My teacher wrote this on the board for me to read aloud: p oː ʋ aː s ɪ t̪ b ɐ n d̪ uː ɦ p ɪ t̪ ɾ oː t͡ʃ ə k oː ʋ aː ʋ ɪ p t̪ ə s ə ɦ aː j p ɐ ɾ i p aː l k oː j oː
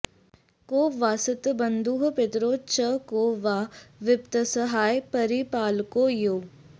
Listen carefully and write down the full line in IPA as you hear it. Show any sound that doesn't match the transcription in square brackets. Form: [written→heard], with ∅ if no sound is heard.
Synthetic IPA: [p→k] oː ʋ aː s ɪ t̪ b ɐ n d̪ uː ɦ p ɪ t̪ ɾ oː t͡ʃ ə k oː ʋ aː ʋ ɪ p t̪ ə s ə ɦ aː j p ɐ ɾ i p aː l k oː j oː